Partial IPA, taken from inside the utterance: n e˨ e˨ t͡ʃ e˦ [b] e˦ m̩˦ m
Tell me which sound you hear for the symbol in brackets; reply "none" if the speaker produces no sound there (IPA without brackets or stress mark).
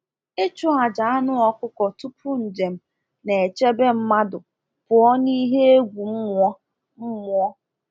b